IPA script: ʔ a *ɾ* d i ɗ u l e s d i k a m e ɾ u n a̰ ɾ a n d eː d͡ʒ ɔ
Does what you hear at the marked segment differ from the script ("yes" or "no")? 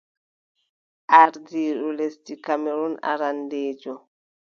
no